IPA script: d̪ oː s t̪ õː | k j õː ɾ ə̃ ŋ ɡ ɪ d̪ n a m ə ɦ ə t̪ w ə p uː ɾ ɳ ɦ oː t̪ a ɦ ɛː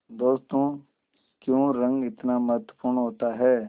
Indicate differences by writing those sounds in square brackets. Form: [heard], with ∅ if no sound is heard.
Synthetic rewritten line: d̪ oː s t̪ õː | k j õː ɾ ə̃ ŋ ɡ ɪ [t̪] n a m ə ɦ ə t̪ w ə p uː ɾ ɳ ɦ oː t̪ a ɦ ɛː